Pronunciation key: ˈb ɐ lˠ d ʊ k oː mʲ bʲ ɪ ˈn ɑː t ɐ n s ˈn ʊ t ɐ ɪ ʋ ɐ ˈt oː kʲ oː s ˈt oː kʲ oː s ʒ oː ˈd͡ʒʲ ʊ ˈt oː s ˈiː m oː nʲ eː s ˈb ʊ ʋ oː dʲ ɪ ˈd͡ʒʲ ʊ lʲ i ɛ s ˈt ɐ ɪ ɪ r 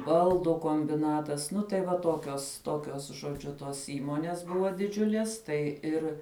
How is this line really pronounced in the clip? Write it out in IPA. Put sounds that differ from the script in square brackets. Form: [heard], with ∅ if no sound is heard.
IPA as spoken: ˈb ɐ lˠ d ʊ k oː mʲ bʲ ɪ ˈn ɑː t ɐ [∅] s ˈn ʊ t ɐ ɪ ʋ ɐ ˈt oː kʲ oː s ˈt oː kʲ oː s ʒ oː ˈd͡ʒʲ ʊ ˈt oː s ˈiː m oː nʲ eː s ˈb ʊ ʋ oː dʲ ɪ ˈd͡ʒʲ ʊ lʲ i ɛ s ˈt ɐ ɪ ɪ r